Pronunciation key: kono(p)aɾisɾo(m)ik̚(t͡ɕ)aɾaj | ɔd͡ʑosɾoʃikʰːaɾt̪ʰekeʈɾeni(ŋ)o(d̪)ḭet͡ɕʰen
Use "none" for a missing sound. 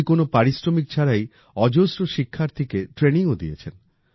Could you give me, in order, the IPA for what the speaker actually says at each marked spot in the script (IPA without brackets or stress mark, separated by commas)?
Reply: p, m, t͡ɕʰ, ŋ, d̪